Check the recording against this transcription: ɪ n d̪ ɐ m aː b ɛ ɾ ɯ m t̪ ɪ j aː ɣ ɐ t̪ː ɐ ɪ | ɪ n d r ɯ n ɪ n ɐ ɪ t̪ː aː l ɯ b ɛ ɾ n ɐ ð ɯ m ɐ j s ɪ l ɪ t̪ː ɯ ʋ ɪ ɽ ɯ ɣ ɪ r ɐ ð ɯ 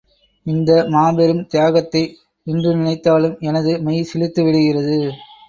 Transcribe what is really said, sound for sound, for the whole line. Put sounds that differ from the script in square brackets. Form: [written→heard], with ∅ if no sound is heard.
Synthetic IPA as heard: ɪ n d̪ ɐ m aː b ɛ ɾ ɯ m t̪ ɪ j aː ɣ ɐ t̪ː ɐ ɪ | ɪ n d r ɯ n ɪ n ɐ ɪ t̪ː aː l ɯ [b→m] ɛ [ɾ→∅] n ɐ ð ɯ m ɐ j s ɪ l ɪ t̪ː ɯ ʋ ɪ ɽ ɯ ɣ ɪ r ɐ ð ɯ